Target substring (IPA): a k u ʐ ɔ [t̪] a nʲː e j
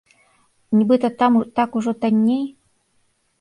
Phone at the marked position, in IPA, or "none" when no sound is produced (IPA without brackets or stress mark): t̪